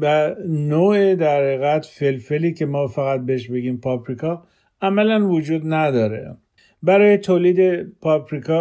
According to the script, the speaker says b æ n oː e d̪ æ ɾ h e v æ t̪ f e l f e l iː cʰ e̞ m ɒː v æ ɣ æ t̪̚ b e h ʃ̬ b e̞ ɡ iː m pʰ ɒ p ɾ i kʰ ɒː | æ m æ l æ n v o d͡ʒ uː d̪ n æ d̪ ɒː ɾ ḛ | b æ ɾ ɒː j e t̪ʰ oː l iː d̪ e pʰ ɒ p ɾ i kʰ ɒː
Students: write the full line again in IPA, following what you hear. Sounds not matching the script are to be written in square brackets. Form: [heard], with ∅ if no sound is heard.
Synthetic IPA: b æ n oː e d̪ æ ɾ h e [ɣ] æ t̪ f e l f e l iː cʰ e̞ m ɒː [f] æ ɣ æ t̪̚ b e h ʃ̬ b e̞ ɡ iː m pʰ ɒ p ɾ i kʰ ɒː | æ m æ l æ n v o d͡ʒ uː d̪ n æ d̪ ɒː ɾ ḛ | b æ ɾ ɒː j e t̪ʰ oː l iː d̪ e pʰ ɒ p ɾ i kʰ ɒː